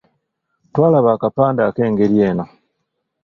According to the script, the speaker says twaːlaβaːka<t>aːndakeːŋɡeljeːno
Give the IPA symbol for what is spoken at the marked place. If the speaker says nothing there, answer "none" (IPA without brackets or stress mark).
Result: p